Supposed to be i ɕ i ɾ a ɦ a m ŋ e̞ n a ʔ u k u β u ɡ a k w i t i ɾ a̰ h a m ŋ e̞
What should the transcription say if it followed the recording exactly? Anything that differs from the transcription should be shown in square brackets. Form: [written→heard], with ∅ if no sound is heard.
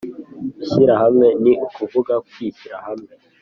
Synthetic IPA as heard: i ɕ i ɾ a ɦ a m ŋ e̞ n [a→i] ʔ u k u [β→v] u ɡ a k w i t i ɾ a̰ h a m ŋ e̞